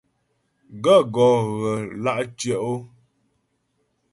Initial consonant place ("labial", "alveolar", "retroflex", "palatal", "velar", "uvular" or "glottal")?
velar